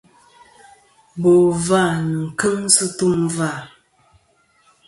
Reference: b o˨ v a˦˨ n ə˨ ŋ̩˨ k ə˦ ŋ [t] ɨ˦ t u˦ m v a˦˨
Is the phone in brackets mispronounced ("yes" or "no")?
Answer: yes